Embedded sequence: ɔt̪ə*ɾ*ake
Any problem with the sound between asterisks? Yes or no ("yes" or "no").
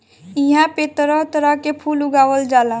no